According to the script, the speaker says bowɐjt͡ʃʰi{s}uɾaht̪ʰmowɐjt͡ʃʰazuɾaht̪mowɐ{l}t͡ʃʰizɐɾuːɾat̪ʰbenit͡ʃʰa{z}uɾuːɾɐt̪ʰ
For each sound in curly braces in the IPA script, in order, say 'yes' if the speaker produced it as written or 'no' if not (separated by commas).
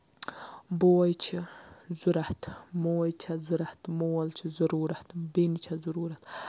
no, yes, yes